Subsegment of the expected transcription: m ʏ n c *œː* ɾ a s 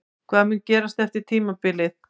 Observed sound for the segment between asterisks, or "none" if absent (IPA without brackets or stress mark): ɛː